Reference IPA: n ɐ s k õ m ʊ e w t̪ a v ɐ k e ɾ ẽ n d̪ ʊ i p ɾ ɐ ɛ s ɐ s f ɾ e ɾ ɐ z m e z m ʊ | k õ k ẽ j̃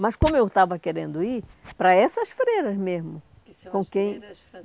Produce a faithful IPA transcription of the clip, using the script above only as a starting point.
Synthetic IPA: m ɐ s k õ m ʊ e w t̪ a v ɐ k e ɾ ẽ n d̪ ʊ i p ɾ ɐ ɛ s ɐ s f ɾ e ɾ ɐ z m e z m ʊ | k õ k ẽ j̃